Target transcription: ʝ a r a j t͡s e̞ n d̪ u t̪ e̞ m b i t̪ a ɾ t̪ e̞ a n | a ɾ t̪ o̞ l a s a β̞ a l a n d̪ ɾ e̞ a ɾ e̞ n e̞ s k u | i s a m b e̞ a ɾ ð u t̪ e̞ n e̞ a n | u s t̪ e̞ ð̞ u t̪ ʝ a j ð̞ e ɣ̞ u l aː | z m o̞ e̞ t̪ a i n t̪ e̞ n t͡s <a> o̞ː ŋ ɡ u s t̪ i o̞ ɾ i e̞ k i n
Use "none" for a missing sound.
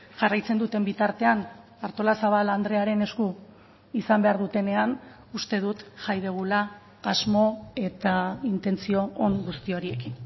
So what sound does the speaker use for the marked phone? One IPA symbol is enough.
i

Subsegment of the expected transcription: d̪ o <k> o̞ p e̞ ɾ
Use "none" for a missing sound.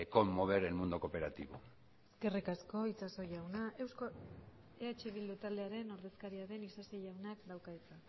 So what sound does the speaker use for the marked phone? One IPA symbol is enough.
k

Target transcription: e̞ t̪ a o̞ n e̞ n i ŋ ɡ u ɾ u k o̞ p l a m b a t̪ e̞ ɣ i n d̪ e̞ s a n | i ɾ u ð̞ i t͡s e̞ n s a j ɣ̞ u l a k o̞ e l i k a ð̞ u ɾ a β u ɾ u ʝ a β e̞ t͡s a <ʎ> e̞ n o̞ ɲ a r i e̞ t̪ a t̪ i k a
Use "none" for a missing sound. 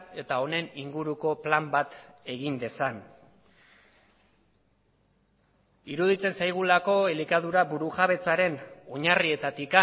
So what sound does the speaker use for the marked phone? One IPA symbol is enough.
ɾ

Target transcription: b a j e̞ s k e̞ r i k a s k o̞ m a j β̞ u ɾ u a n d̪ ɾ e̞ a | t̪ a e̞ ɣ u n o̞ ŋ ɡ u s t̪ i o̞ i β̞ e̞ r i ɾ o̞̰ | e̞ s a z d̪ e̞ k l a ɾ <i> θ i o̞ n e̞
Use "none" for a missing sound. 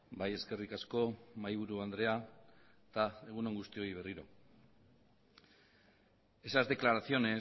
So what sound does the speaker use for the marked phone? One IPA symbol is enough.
a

